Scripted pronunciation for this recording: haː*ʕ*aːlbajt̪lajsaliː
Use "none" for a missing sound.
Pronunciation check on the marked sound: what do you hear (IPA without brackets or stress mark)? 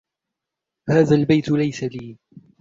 ð